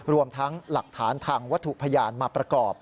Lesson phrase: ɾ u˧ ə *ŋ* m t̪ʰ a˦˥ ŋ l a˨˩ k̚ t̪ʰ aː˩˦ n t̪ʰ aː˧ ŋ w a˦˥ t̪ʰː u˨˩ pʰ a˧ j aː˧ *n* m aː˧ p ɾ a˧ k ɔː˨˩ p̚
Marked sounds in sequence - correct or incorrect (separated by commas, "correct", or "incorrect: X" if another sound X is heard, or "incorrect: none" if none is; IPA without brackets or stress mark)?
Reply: incorrect: none, correct